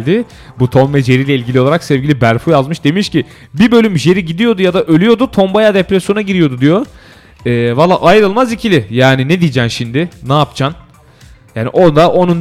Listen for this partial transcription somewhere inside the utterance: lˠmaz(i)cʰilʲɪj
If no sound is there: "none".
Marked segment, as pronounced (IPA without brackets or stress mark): i